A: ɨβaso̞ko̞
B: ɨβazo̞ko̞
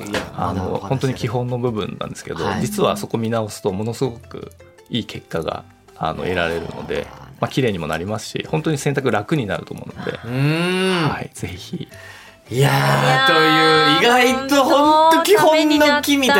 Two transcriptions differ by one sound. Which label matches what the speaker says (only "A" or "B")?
A